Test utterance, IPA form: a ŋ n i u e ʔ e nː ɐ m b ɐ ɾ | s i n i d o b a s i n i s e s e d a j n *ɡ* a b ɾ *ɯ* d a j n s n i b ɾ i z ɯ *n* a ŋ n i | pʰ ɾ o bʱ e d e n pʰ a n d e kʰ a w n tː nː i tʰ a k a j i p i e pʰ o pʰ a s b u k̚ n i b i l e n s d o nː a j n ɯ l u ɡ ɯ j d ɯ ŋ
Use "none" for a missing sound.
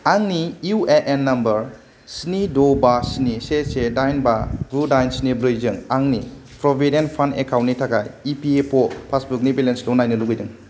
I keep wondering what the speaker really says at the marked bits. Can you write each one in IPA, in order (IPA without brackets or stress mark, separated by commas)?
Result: b, u, ŋ